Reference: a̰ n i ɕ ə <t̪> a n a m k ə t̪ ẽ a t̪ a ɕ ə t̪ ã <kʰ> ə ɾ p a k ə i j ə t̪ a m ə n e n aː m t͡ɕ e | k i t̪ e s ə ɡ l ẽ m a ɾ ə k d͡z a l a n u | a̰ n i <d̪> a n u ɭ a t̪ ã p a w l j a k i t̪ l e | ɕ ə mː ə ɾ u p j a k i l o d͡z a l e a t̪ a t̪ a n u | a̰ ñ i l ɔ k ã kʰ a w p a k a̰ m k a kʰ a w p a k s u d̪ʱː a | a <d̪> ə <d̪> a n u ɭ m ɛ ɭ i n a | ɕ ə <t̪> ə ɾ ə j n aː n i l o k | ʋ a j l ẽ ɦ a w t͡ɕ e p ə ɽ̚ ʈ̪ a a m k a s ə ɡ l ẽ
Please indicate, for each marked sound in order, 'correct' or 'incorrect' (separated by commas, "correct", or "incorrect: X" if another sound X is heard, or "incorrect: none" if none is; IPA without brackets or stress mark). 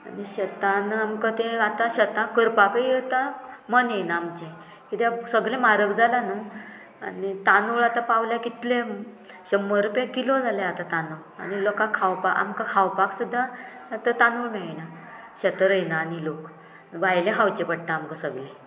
correct, incorrect: k, incorrect: t̪, incorrect: t̪, incorrect: t̪, correct